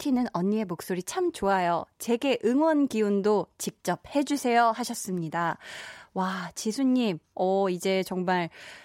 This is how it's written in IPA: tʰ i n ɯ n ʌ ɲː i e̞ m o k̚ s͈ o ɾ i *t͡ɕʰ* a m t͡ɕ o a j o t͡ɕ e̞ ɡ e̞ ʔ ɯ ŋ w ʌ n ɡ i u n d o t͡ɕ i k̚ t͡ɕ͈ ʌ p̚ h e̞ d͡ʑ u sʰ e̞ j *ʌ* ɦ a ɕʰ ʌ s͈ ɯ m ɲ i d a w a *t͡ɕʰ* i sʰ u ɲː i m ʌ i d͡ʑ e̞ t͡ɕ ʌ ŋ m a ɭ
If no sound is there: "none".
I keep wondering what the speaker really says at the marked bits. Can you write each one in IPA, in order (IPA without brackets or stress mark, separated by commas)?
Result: t͡ɕʰ, ʌ, t͡ɕ